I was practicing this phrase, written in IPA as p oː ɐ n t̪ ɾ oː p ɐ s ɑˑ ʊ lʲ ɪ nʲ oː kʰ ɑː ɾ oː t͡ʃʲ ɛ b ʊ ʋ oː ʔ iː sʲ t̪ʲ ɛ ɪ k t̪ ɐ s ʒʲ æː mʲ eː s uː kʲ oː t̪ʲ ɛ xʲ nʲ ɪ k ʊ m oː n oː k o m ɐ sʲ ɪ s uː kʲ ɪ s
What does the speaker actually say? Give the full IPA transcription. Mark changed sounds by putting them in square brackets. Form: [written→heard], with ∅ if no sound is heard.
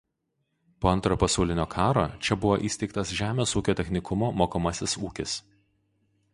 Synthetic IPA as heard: p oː ɐ n t̪ ɾ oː p ɐ s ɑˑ ʊ lʲ ɪ nʲ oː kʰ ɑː ɾ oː t͡ʃʲ ɛ b ʊ ʋ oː ʔ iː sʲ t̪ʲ ɛ ɪ k t̪ ɐ s ʒʲ æː mʲ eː s uː kʲ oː t̪ʲ ɛ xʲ nʲ ɪ k ʊ m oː [n→m] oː k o m ɐ sʲ ɪ s uː kʲ ɪ s